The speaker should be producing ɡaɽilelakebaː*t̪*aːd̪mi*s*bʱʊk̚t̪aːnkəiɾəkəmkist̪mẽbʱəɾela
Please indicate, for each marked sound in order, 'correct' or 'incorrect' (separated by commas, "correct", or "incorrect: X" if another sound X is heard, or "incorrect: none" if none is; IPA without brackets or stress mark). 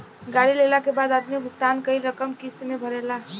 incorrect: d̪, incorrect: none